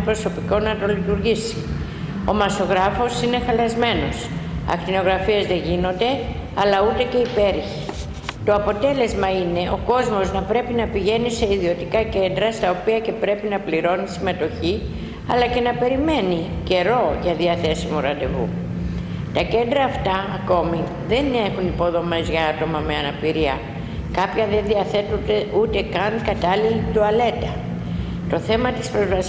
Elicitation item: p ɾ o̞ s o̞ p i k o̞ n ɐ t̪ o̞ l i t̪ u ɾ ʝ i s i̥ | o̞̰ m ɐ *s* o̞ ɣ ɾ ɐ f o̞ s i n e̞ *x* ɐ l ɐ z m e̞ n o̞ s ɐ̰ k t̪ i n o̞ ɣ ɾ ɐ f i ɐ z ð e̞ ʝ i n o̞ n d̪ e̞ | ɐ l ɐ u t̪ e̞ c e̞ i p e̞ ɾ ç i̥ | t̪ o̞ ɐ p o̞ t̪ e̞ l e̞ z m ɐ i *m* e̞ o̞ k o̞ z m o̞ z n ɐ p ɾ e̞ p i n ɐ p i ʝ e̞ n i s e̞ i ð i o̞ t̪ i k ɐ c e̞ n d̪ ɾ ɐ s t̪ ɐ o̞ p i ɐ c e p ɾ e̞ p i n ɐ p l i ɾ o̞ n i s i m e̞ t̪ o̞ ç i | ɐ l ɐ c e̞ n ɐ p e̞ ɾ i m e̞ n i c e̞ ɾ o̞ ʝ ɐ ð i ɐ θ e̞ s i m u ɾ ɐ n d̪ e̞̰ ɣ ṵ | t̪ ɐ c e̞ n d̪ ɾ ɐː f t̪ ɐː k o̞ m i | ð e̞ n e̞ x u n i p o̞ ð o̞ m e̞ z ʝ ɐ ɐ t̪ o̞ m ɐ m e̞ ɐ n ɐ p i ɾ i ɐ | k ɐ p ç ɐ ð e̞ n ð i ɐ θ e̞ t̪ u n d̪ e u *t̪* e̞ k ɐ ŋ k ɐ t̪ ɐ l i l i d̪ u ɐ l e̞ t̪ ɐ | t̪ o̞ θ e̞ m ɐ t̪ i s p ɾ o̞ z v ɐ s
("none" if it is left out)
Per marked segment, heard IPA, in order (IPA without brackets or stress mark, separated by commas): s, x, n, t̪